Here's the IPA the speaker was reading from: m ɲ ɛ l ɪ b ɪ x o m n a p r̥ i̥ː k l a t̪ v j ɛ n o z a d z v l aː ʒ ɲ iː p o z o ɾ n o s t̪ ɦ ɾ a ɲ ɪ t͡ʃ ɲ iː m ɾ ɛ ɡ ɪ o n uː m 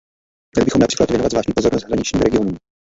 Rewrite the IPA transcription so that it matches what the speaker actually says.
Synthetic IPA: m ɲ ɛ l ɪ b ɪ x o m n a p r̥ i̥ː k l a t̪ v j ɛ n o v a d z v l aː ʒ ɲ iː p o z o ɾ n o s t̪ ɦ ɾ a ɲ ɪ t͡ʃ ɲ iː m ɾ ɛ ɡ ɪ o n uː m